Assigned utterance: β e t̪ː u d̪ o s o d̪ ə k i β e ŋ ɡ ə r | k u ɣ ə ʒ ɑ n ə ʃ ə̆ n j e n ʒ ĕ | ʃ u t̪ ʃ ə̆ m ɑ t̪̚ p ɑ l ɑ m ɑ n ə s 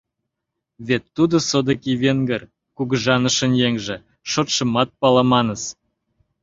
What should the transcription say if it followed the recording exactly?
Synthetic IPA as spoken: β e t̪ː u d̪ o s o d̪ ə k i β e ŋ ɡ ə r | k u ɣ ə ʒ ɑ n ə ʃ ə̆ n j e ŋ ʒ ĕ | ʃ o t̪ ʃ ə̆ m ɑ t̪̚ p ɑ l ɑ m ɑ n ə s